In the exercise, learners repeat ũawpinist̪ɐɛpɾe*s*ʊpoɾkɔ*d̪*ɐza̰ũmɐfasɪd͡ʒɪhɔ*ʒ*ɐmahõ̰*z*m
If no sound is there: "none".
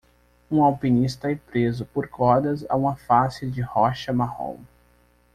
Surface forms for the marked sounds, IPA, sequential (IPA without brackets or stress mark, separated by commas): z, d̪, ʃ, none